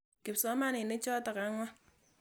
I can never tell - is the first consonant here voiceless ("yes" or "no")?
yes